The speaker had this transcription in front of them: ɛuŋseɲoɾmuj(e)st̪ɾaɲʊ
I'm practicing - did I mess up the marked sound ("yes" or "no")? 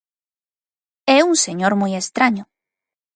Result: no